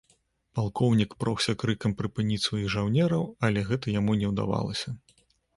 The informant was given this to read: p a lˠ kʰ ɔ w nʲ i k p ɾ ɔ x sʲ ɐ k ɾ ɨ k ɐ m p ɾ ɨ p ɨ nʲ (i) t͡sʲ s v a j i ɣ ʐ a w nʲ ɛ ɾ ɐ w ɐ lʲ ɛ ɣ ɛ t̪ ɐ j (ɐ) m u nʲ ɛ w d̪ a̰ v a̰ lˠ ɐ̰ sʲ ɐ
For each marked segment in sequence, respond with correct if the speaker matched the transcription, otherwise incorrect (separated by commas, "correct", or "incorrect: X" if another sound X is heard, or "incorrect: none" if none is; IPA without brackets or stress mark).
correct, incorrect: a